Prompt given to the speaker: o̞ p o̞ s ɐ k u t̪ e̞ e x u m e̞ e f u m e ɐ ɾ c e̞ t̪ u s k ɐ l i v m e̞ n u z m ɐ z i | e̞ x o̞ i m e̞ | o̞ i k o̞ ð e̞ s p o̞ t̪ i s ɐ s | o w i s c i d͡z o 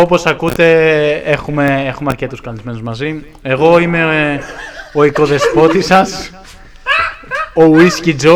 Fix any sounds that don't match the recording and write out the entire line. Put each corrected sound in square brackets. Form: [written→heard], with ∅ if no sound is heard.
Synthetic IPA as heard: o̞ p o̞ s ɐ k u t̪ e̞ e x u m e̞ e [f→x] u m e ɐ ɾ c e̞ t̪ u s k ɐ l i [v→z] m e̞ n u z m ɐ z i | e̞ [x→ɣ] o̞ i m e̞ | o̞ i k o̞ ð e̞ s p o̞ t̪ i s ɐ s | o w i s c i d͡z o